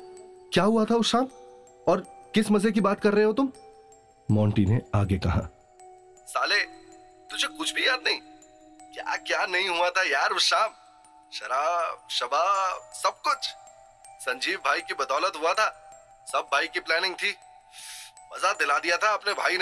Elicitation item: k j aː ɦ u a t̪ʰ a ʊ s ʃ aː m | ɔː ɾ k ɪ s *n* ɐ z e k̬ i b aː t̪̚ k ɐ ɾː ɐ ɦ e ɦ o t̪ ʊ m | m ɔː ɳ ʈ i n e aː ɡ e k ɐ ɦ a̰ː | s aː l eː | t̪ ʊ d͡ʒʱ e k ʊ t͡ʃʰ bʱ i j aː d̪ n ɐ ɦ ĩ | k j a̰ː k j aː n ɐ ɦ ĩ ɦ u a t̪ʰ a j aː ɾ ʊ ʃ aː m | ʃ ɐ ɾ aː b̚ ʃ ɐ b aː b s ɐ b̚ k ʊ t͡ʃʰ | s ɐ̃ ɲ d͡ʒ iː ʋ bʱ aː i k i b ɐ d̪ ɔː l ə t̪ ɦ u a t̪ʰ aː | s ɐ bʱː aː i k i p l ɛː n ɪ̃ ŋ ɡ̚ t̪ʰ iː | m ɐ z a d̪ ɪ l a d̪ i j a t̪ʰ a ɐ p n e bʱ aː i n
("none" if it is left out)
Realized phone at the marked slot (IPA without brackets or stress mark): m